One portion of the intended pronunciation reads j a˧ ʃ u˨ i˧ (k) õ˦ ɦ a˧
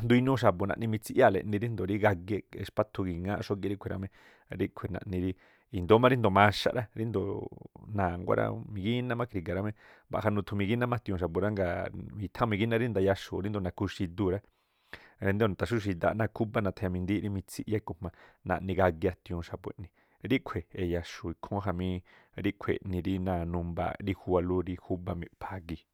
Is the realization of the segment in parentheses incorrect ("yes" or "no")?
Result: yes